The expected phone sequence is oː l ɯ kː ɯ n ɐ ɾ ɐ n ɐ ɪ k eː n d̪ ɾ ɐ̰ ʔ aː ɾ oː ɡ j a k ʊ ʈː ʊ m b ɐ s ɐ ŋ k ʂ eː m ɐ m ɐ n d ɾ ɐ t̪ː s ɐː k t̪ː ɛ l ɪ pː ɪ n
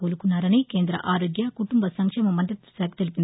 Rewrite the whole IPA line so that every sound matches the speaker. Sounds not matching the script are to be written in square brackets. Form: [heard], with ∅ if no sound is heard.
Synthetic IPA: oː l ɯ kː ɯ n ɐ ɾ ɐ n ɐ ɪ k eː n d̪ ɾ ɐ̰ ʔ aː ɾ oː ɡ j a k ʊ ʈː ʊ m b ɐ s ɐ ŋ k ʂ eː m ɐ m ɐ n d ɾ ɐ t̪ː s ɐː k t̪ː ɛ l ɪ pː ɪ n